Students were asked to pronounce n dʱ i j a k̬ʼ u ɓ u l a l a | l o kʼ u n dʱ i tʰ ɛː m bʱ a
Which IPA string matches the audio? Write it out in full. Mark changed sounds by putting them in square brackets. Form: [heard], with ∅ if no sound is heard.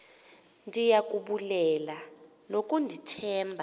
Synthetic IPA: n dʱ i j a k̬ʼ u ɓ u l [ɛ] l a | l o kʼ u n dʱ i tʰ ɛː m bʱ a